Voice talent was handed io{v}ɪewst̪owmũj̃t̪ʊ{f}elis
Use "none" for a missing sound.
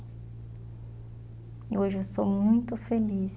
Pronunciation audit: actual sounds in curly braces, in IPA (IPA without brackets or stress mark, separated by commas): ʒ, f